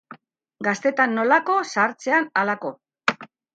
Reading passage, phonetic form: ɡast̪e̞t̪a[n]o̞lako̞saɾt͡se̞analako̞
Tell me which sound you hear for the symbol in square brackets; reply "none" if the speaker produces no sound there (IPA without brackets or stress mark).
nː